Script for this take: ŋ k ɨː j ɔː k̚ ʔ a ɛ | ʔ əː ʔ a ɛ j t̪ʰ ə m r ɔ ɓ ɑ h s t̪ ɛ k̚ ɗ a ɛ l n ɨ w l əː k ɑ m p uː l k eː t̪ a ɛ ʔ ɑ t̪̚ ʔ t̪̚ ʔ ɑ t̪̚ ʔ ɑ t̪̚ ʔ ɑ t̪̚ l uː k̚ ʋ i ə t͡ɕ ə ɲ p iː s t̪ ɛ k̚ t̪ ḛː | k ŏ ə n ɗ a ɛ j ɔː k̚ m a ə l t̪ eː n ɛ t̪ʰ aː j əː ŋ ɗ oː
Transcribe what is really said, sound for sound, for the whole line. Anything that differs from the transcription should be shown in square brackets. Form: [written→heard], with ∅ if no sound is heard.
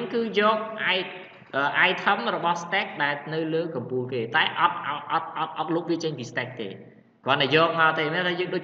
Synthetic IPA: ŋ k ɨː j ɔː k̚ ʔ a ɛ | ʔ əː ʔ a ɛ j t̪ʰ ə m r ɔ ɓ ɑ h s t̪ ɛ k̚ ɗ a ɛ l n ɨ w l əː k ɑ m p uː l k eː t̪ a ɛ ʔ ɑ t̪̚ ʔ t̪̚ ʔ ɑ t̪̚ ʔ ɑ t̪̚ ʔ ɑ t̪̚ l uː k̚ ʋ i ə t͡ɕ ə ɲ p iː s t̪ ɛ k̚ t̪ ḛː | k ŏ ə n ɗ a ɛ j ɔː k̚ m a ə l t̪ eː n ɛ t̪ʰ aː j əː ŋ ɗ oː